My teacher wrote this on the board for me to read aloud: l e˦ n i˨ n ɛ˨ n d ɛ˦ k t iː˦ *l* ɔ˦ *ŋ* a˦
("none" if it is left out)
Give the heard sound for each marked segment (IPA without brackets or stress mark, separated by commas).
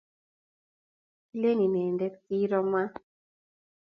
ɾ, m